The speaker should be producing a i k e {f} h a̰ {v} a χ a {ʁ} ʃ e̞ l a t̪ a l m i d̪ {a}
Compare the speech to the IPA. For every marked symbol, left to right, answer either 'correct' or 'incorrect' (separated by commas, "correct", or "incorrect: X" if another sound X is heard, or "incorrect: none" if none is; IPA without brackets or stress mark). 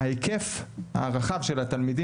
correct, incorrect: ʁ, incorrect: v, incorrect: i